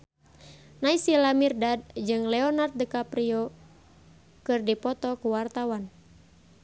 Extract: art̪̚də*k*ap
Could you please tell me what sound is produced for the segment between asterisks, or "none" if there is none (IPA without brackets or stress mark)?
k